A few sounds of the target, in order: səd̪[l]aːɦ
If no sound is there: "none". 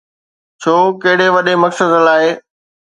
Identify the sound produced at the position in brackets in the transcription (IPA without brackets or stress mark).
l